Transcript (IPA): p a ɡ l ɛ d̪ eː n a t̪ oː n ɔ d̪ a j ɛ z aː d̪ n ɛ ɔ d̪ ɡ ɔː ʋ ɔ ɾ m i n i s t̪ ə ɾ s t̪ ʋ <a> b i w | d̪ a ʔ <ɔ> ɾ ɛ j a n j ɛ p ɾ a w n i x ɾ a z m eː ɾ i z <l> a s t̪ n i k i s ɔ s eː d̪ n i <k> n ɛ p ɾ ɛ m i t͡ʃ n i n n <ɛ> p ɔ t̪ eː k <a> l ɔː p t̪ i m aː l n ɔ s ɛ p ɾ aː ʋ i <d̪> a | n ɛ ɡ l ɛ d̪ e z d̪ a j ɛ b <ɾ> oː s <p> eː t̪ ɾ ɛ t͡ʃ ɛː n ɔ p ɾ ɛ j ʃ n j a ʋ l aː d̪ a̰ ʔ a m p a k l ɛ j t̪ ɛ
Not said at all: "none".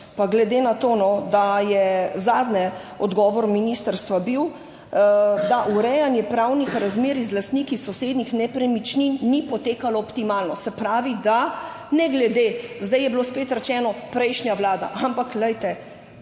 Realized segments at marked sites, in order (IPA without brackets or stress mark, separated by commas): a, u, l, x, i, a, d̪, l, p